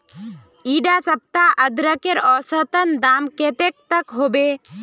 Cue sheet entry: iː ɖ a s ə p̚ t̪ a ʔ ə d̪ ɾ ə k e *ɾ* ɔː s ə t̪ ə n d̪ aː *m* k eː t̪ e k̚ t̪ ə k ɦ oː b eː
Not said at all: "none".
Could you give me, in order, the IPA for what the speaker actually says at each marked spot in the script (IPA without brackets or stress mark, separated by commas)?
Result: ɾ, m